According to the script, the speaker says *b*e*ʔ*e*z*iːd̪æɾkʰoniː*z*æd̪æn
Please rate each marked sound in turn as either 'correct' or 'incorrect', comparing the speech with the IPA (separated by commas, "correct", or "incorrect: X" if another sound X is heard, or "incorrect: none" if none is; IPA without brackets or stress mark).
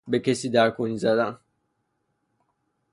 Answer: correct, incorrect: c, incorrect: s, correct